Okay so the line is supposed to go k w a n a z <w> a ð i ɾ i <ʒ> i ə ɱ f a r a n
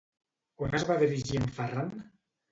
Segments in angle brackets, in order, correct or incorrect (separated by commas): incorrect, correct